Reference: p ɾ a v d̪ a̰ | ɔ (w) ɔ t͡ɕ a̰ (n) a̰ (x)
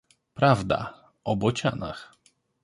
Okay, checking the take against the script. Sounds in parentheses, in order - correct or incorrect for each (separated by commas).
incorrect, correct, correct